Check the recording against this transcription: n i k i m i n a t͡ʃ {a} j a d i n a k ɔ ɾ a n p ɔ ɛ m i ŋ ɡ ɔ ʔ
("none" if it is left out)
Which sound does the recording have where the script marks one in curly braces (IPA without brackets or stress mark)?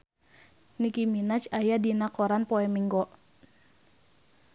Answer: a